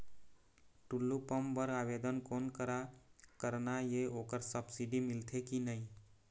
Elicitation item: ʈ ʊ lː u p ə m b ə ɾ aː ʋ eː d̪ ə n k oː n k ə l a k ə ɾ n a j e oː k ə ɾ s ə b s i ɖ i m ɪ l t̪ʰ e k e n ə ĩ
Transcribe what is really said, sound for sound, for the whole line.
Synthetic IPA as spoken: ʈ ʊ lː u p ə m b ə ɾ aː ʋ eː d̪ ə n k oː n k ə ɾ a k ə ɾ n a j e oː k ə ɾ s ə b s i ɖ i m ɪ l t̪ʰ e k i n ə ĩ